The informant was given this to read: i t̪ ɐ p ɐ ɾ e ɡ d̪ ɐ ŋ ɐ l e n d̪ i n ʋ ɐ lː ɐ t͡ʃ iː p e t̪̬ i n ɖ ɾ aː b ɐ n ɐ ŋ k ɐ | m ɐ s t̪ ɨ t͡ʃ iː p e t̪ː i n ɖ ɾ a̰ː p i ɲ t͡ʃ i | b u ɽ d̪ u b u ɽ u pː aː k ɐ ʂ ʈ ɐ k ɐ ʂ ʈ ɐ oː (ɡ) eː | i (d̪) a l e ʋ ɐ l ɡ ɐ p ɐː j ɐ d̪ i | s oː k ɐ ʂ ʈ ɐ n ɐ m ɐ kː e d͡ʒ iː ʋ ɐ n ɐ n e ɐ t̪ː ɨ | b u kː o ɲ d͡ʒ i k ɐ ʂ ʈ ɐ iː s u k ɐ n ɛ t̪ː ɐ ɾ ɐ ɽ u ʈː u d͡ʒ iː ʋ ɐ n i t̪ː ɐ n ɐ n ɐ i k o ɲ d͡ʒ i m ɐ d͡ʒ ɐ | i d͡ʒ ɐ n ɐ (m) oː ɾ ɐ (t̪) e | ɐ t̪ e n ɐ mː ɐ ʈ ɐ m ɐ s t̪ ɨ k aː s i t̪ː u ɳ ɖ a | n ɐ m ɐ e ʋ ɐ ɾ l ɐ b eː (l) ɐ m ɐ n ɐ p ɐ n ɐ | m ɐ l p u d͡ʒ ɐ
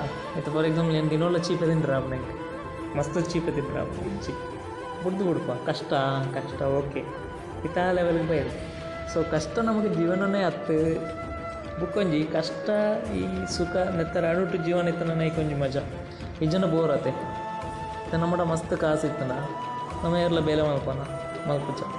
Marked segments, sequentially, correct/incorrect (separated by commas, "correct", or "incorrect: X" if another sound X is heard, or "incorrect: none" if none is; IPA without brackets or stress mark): incorrect: k, incorrect: t̪, incorrect: b, correct, correct